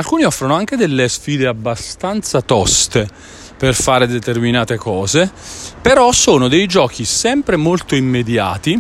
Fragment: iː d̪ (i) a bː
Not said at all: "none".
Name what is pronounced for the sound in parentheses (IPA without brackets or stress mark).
e